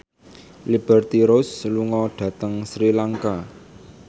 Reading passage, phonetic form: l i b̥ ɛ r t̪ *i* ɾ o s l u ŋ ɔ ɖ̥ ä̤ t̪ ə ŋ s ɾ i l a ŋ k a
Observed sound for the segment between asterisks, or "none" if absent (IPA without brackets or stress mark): i